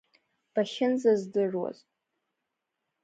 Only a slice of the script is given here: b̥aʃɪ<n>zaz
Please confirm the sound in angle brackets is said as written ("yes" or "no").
yes